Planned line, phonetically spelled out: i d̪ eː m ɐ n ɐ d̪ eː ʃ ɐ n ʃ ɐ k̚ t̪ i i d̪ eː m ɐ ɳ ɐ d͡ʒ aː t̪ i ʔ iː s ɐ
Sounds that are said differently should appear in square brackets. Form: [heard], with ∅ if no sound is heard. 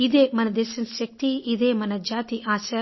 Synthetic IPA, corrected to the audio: i d̪ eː m ɐ n ɐ d̪ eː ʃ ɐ n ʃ ɐ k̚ t̪ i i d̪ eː m ɐ [n] ɐ d͡ʒ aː t̪ i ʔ [aː] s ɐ